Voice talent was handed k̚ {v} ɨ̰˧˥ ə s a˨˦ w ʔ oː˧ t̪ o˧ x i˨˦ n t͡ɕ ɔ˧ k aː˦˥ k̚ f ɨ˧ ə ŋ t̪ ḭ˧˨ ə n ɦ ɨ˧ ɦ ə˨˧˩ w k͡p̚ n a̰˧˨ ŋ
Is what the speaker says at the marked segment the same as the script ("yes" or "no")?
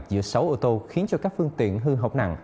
no